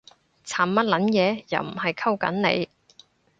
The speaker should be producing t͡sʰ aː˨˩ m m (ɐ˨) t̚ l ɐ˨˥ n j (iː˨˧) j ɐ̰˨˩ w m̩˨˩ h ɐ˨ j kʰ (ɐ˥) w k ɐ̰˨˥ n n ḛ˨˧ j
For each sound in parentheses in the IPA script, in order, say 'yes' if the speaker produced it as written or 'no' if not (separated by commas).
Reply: no, no, yes